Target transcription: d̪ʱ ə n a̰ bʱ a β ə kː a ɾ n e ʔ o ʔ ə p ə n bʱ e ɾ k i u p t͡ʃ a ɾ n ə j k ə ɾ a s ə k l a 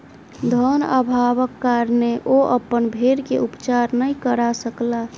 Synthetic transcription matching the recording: d̪ʱ ə n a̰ bʱ a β ə kː a ɾ n e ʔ o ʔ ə p ə n bʱ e ɾ k e u p t͡ʃ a ɾ n ə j k ə ɾ a s ə k l a